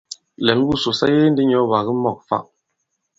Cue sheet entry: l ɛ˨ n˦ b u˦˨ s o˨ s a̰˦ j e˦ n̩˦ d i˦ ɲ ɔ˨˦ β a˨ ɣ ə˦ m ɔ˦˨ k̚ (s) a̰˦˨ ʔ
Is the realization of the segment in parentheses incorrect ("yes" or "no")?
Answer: yes